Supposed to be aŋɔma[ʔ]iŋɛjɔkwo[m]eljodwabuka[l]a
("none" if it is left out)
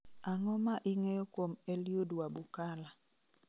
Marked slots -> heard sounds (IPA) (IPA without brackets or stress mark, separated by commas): ʔ, m, l